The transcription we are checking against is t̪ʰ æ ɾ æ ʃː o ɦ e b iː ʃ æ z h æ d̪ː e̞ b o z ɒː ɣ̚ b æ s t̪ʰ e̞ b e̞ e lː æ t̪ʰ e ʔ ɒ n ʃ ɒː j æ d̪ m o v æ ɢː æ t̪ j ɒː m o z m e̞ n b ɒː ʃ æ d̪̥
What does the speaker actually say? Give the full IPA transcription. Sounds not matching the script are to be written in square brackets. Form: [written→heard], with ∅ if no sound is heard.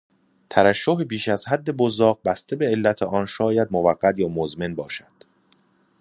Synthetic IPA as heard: t̪ʰ æ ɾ æ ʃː o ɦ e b iː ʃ æ z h æ d̪ː e̞ b o z ɒː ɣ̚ b æ s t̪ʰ e̞ b e̞ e lː æ t̪ʰ e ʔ ɒ n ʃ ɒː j æ d̪ m o v æ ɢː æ t̪ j ɒː m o z m e̞ n b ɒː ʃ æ d̪̥